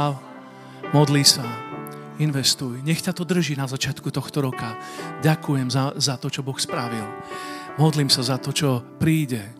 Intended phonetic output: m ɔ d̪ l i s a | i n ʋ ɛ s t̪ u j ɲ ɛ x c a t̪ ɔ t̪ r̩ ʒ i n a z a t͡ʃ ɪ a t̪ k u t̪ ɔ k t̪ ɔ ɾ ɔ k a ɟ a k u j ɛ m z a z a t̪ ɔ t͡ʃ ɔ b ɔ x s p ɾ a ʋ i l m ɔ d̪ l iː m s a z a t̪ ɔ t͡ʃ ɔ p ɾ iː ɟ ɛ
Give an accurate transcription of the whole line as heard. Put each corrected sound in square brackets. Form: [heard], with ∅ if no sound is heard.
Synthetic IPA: m ɔ d̪ l i s a | i n ʋ ɛ s t̪ u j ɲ ɛ x c a t̪ ɔ [d̪] r̩ ʒ i n a z a t͡ʃ ɪ a t̪ k u t̪ ɔ [x] t̪ ɔ ɾ ɔ k a ɟ a k u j ɛ m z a z a t̪ ɔ t͡ʃ ɔ b ɔ x s p ɾ a ʋ i l m ɔ d̪ l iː m s a z a t̪ ɔ t͡ʃ ɔ p ɾ iː ɟ ɛ